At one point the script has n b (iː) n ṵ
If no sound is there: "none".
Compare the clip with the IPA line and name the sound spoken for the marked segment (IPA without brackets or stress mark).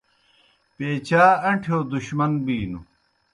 iː